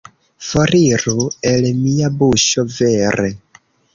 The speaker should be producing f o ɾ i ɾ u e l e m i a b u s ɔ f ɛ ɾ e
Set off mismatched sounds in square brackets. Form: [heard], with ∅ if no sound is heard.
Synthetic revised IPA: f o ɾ i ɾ u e l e m i a b u [ʃ] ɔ [v] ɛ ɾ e